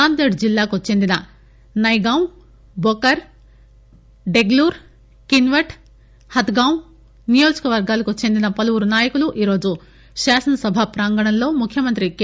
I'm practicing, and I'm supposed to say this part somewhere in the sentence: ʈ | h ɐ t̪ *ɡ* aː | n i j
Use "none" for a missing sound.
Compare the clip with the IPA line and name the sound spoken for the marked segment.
ɡ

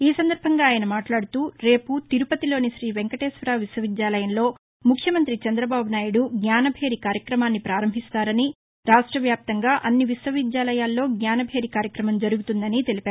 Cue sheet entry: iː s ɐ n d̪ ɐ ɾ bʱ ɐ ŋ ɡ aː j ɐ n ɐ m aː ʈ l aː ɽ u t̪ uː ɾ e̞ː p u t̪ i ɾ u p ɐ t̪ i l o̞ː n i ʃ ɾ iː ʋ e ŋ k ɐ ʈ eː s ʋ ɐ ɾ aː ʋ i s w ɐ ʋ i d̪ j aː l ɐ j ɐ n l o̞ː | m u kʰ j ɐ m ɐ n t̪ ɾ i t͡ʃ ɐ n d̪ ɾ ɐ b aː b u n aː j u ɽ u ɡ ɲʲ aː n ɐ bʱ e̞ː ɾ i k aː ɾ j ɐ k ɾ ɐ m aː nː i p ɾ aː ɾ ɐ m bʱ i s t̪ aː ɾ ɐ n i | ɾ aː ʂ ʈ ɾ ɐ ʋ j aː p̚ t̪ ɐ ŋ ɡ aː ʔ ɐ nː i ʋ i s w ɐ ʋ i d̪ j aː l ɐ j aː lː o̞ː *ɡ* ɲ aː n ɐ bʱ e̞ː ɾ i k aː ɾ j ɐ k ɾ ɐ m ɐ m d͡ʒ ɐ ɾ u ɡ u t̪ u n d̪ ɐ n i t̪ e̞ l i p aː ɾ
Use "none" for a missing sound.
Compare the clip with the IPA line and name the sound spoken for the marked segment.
ɡ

